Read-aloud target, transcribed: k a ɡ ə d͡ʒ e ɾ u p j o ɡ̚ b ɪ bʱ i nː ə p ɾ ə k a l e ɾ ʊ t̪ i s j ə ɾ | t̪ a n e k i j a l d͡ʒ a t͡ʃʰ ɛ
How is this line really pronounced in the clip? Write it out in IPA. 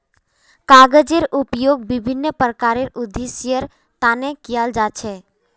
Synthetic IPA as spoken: k a ɡ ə d͡ʒ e ɾ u p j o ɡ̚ b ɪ bʱ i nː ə p ɾ ə k a ɾ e ɾ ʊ d̪ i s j ə ɾ | t̪ a n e k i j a l d͡ʒ a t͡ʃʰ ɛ